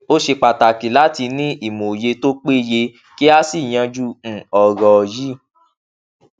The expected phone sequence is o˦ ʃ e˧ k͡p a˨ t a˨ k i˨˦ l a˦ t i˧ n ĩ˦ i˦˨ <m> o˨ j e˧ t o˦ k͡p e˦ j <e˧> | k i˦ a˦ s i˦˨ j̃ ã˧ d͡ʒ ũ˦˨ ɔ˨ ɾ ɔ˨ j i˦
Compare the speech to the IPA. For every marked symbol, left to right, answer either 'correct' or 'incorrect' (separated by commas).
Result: correct, correct